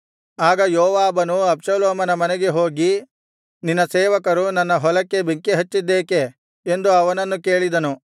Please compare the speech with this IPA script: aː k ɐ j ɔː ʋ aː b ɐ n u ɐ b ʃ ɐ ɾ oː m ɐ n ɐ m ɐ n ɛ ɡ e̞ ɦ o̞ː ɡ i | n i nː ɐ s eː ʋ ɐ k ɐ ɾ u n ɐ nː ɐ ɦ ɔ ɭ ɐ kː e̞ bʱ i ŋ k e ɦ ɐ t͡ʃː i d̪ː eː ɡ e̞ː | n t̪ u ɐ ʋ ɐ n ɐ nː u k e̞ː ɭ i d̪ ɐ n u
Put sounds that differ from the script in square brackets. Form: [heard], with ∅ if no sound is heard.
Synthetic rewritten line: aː [ɡ] ɐ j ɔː ʋ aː b ɐ n u ɐ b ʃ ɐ [l] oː m ɐ n ɐ m ɐ n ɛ ɡ e̞ ɦ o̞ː ɡ i | n i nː ɐ s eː ʋ ɐ k ɐ ɾ u n ɐ nː ɐ ɦ ɔ [l] ɐ kː e̞ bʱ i ŋ k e ɦ ɐ t͡ʃː i d̪ː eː [k] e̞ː | n [d̪] u ɐ ʋ ɐ n ɐ nː u k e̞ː ɭ i d̪ ɐ n u

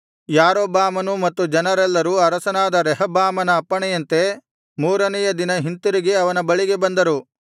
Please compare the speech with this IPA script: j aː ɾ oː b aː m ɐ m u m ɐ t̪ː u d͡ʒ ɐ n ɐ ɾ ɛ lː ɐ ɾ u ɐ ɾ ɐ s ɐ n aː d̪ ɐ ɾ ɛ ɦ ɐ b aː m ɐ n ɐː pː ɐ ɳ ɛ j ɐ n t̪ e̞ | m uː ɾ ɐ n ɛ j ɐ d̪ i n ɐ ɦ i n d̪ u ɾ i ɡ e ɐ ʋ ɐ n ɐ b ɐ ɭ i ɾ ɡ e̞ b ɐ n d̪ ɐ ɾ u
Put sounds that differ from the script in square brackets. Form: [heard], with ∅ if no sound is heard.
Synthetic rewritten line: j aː ɾ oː b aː m ɐ [n] u m ɐ t̪ː u d͡ʒ ɐ n ɐ ɾ ɛ lː ɐ ɾ u ɐ ɾ ɐ s ɐ n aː d̪ ɐ ɾ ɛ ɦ ɐ b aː m ɐ n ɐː pː ɐ ɳ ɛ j ɐ n t̪ e̞ | m uː ɾ ɐ n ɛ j ɐ d̪ i n ɐ ɦ i n [t̪] u ɾ i ɡ e ɐ ʋ ɐ n ɐ b ɐ ɭ i [∅] ɡ e̞ b ɐ n d̪ ɐ ɾ u

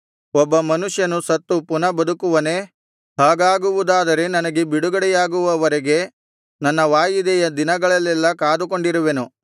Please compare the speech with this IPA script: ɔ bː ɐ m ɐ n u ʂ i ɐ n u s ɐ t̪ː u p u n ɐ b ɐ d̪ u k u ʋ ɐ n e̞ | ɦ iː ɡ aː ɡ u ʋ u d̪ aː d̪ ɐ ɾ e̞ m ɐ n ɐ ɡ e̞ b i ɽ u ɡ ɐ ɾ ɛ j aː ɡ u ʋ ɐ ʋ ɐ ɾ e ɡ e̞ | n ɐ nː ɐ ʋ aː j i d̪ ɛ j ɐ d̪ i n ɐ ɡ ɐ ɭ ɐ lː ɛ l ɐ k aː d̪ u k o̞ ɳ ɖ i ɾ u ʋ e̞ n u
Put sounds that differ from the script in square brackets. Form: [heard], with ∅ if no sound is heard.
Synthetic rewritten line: ɔ bː ɐ m ɐ n u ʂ [j] ɐ n u s ɐ t̪ː u p u n ɐ b ɐ d̪ u k u ʋ ɐ n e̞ | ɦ [aː] ɡ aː ɡ u ʋ u d̪ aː d̪ ɐ ɾ e̞ [n] ɐ n ɐ ɡ e̞ b i ɽ u ɡ ɐ [ɽ] ɛ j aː ɡ u ʋ ɐ ʋ ɐ ɾ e ɡ e̞ | n ɐ nː ɐ ʋ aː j i d̪ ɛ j ɐ d̪ i n ɐ ɡ ɐ ɭ ɐ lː ɛ [lː] ɐ k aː d̪ u k o̞ ɳ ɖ i ɾ u ʋ e̞ n u

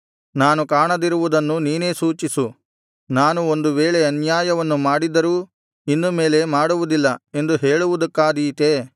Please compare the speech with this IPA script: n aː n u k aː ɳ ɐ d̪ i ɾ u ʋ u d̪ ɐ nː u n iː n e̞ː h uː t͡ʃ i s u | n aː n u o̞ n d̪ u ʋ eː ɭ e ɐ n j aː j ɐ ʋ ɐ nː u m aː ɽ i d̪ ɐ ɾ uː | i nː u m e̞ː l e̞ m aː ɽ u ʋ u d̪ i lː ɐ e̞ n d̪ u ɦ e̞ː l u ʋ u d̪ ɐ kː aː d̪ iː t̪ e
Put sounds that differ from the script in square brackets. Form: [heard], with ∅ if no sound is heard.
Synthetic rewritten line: n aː n u k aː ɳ ɐ d̪ i ɾ u ʋ u d̪ ɐ nː u n iː n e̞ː [s] uː t͡ʃ i s u | n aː n u o̞ n d̪ u ʋ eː ɭ e ɐ n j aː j ɐ ʋ ɐ nː u m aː ɽ i d̪ ɐ ɾ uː | i nː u m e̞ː l e̞ m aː ɽ u ʋ u d̪ i lː ɐ e̞ n d̪ u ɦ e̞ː [ɭ] u ʋ u d̪ ɐ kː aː d̪ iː t̪ e

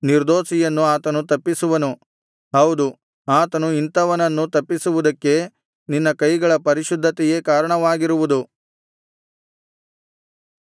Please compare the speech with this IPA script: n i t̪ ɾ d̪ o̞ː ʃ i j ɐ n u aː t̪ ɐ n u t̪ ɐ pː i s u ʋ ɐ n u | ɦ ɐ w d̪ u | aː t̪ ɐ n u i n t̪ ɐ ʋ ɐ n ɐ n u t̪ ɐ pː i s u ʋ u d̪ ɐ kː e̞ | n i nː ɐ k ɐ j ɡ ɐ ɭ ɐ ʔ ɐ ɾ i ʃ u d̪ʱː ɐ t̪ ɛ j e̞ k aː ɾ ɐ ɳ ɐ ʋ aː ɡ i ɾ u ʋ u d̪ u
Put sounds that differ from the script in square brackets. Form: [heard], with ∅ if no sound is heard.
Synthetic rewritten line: n i [∅] ɾ d̪ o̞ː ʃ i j ɐ [nː] u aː t̪ ɐ n u t̪ ɐ pː i s u ʋ ɐ n u | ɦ ɐ w d̪ u | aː t̪ ɐ n u i n t̪ ɐ ʋ ɐ n ɐ [nː] u t̪ ɐ pː i s u ʋ u d̪ ɐ kː e̞ | n i nː ɐ k ɐ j ɡ ɐ ɭ ɐ [p] ɐ ɾ i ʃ u d̪ʱː ɐ t̪ ɛ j e̞ k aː ɾ ɐ ɳ ɐ ʋ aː ɡ i ɾ u ʋ u d̪ u

